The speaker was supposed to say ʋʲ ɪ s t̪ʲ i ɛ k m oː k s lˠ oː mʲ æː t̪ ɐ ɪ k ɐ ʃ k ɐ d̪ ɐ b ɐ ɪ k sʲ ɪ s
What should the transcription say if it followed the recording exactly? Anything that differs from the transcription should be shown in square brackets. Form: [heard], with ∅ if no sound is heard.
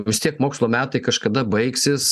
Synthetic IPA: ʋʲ ɪ s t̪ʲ i ɛ k m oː k s lˠ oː mʲ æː t̪ ɐ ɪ k ɐ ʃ k ɐ d̪ ɐ b ɐ ɪ k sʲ ɪ s